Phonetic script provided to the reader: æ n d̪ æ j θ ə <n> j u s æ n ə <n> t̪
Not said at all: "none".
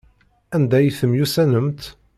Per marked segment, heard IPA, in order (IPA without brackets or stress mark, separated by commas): m, m